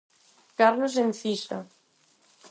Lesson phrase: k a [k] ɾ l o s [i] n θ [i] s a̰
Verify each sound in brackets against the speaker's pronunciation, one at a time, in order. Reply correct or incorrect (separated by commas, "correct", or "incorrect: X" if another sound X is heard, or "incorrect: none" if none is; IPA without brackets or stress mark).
incorrect: none, incorrect: e, correct